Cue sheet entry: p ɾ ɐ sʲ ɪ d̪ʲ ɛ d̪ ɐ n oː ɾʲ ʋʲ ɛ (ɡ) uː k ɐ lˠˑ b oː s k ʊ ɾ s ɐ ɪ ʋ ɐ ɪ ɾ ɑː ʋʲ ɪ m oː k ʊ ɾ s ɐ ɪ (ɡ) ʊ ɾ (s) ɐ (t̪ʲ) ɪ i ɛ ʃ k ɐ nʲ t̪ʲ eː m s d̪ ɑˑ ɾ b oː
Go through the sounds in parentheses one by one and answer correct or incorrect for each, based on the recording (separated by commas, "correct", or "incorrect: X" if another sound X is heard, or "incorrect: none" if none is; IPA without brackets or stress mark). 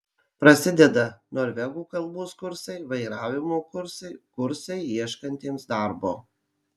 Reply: correct, incorrect: k, correct, incorrect: none